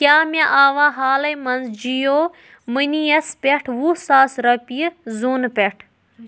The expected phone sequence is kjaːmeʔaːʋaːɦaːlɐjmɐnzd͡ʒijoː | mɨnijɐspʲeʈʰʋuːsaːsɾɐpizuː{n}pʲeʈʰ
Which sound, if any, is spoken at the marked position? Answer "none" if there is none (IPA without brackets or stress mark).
n